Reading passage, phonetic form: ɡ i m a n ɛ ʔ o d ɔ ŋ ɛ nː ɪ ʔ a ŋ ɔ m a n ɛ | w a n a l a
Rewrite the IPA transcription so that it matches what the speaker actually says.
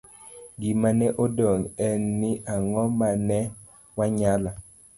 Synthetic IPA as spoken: ɡ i m a n ɛ ʔ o d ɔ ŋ ɛ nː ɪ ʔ a ŋ ɔ m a n ɛ | w a ɲ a l a